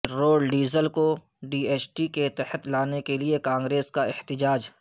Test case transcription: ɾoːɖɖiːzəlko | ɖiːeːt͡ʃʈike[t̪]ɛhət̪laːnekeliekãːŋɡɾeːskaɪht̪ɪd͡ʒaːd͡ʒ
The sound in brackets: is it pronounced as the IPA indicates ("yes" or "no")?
yes